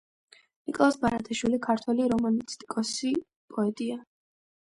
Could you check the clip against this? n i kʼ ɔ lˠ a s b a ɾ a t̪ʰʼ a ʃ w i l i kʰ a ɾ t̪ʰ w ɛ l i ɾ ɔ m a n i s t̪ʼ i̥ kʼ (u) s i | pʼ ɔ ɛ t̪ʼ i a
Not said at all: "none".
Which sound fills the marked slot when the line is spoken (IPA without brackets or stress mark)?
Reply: ɔ